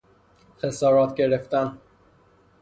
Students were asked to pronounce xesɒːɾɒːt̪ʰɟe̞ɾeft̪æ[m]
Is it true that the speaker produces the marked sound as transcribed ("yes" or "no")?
no